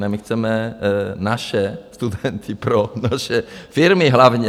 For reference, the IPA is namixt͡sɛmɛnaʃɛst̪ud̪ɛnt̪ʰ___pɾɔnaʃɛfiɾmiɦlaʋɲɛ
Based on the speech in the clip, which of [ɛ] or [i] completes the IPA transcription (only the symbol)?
i